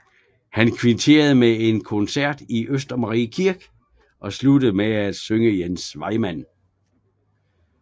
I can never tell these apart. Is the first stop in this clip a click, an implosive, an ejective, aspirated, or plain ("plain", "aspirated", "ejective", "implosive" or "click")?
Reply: aspirated